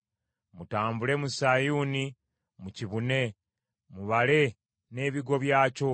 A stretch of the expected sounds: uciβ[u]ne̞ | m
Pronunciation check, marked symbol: correct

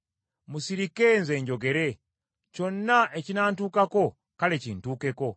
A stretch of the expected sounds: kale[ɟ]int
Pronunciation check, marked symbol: incorrect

